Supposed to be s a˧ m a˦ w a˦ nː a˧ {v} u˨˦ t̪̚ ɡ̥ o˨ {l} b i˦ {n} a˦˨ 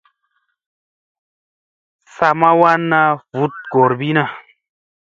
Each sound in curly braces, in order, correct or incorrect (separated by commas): correct, incorrect, correct